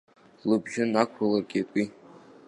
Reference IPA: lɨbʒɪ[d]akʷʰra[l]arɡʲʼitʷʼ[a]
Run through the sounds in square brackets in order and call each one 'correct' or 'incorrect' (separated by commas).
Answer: incorrect, correct, incorrect